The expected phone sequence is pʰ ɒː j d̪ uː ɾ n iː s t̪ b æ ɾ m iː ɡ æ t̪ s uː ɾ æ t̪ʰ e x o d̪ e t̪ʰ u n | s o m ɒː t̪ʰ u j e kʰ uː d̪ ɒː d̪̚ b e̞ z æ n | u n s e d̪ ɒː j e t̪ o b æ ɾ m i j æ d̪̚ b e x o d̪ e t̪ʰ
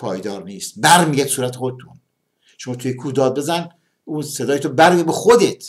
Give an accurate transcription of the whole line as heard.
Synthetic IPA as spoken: pʰ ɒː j d̪ ɒː ɾ n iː s t̪ b æ ɾ m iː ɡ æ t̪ s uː ɾ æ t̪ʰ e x o d̪ e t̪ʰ u n | ʃ o m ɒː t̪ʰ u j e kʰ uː d̪ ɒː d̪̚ b e̞ z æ n | u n s e d̪ ɒː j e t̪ o b æ ɾ m i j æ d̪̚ b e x o d̪ e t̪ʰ